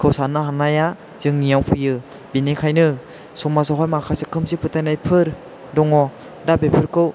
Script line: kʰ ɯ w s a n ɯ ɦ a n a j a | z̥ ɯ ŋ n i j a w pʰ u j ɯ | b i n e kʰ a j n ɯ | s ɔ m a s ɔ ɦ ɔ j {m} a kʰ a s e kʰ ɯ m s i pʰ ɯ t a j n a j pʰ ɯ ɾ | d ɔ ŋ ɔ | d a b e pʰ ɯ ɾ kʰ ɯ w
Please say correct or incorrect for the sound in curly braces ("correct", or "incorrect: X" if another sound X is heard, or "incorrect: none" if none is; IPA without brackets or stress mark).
correct